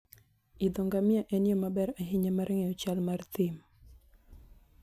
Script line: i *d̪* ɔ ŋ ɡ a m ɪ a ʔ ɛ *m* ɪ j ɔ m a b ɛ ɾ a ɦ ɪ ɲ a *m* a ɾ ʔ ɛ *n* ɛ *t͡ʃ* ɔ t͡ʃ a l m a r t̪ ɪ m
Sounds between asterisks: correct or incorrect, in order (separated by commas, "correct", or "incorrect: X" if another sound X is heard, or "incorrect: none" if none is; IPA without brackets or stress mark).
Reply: correct, incorrect: n, correct, incorrect: ŋ, incorrect: none